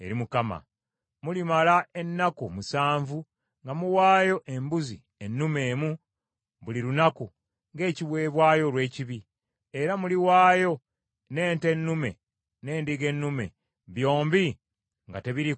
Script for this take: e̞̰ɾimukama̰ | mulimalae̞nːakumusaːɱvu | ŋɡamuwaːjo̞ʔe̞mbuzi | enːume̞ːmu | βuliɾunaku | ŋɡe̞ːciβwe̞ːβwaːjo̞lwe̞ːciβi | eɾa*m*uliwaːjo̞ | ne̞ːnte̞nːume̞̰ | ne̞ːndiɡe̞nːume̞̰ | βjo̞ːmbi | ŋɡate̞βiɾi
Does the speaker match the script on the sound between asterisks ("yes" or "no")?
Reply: yes